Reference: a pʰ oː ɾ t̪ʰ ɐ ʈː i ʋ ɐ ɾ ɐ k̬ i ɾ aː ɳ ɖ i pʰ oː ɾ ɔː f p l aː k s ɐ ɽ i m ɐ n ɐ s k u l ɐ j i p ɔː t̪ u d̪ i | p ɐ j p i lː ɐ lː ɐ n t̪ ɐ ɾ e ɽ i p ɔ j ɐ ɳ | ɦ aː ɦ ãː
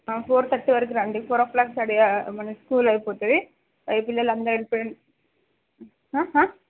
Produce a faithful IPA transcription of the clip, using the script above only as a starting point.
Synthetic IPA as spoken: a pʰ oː ɾ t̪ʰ ɐ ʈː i ʋ ɐ ɾ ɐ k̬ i ɾ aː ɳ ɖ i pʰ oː ɾ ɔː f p l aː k s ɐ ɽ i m ɐ n ɐ s k uː l ɐ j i p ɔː t̪ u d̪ i | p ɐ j p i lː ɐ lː ɐ n d̪ ɐ ɾ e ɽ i p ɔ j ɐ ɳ | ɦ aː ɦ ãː